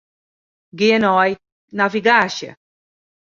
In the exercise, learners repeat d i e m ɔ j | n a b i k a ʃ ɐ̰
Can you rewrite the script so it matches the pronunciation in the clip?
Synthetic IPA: ɡ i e n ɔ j | n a v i ɡ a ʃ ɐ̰